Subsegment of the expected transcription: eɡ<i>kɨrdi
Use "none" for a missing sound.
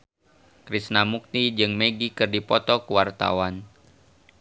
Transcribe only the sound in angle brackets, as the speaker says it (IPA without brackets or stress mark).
i